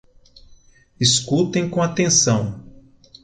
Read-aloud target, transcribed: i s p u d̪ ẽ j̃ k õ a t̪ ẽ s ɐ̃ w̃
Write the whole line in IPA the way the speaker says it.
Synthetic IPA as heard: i s k u t̪ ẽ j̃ k õ a t̪ ẽ s ɐ̃ w̃